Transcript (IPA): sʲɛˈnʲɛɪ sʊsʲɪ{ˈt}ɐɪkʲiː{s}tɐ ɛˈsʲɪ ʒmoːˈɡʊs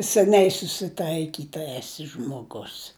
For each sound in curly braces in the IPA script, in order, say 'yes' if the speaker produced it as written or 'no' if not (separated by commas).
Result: yes, no